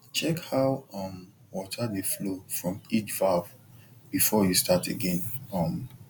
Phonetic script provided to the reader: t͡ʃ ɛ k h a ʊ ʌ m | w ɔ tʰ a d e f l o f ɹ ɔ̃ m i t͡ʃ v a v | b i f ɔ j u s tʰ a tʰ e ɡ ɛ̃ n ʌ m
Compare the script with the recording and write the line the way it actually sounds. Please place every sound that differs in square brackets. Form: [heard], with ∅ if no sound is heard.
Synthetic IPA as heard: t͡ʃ ɛ k h a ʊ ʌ m | w ɔ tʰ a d e f l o f ɹ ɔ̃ m i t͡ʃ v a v | b i f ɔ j u s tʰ a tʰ e ɡ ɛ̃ n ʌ m